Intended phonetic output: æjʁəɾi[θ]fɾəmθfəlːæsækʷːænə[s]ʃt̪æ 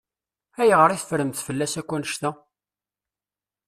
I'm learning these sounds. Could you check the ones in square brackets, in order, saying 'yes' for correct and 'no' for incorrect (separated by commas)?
yes, no